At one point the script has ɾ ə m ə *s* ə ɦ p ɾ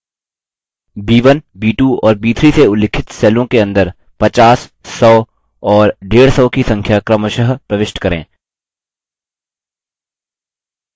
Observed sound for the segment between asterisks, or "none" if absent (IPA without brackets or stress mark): ʃ